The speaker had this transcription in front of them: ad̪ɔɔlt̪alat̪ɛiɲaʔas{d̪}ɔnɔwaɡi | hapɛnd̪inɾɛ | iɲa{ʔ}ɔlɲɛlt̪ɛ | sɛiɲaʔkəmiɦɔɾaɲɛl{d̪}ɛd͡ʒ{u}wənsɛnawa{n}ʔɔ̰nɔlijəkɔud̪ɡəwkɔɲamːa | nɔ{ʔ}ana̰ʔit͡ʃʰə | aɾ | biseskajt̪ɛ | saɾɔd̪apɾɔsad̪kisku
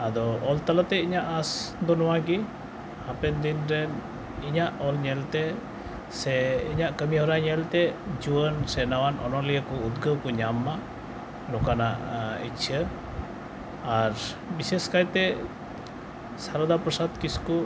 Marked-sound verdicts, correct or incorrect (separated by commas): correct, correct, incorrect, correct, correct, incorrect